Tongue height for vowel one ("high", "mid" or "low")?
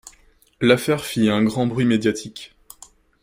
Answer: low